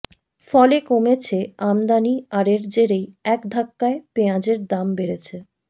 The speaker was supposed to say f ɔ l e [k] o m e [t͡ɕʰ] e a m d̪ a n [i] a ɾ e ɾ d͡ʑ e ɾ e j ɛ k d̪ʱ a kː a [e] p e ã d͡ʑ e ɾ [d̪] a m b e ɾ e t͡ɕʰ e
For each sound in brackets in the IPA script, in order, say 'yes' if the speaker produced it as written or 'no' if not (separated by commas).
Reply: yes, yes, yes, yes, yes